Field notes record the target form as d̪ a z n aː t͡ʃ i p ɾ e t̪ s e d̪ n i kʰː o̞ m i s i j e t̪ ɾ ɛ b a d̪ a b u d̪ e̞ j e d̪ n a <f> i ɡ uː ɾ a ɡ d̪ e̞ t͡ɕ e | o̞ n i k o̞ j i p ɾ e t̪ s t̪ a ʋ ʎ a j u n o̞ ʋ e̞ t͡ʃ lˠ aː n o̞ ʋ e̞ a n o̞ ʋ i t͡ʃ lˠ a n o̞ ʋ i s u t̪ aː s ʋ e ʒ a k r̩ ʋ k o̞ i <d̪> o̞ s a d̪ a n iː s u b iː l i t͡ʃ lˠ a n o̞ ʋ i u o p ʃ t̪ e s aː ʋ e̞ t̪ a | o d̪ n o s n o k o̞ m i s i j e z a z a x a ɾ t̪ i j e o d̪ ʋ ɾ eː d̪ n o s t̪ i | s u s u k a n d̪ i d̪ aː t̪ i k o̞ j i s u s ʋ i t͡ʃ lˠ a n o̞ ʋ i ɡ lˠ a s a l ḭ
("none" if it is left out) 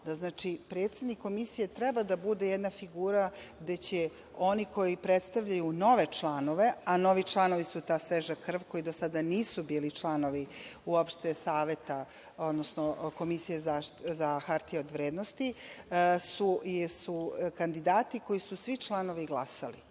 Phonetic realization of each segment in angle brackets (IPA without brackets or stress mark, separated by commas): f, d̪